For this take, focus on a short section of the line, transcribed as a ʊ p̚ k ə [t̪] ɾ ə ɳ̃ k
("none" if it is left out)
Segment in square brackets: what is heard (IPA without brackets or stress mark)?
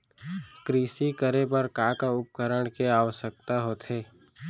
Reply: none